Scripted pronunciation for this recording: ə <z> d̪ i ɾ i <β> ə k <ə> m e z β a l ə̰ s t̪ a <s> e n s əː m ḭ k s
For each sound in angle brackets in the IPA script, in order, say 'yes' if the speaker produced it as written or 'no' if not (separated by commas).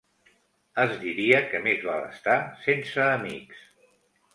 yes, no, yes, yes